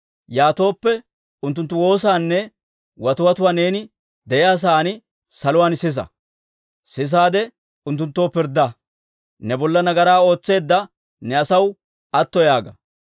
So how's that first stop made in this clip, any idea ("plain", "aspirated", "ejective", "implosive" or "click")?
plain